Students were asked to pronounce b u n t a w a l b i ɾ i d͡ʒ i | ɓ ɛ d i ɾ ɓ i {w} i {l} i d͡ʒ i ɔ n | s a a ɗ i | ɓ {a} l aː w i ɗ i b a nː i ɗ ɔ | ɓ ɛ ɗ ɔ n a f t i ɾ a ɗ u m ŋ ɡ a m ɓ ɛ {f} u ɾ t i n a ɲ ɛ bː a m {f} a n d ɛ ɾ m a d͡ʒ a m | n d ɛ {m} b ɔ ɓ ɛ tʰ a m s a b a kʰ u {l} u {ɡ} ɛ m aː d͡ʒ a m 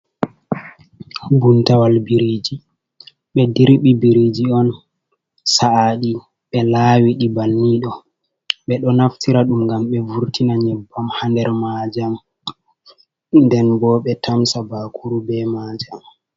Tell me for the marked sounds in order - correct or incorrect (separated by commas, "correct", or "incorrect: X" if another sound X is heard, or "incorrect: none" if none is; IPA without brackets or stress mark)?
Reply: incorrect: b, incorrect: ɾ, incorrect: ɛ, incorrect: v, incorrect: h, incorrect: n, incorrect: ɾ, incorrect: b